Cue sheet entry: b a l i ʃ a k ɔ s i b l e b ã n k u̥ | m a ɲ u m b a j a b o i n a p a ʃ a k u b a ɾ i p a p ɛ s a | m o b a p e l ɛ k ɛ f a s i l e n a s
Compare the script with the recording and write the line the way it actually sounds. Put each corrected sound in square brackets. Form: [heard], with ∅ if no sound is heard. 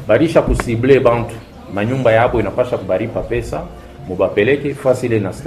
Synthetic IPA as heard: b a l i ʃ a k [u] s i b l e b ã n [t] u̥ | m a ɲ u m b a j a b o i n a p a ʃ a k u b a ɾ i p a p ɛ s a | m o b a p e l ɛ k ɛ f a s i l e n a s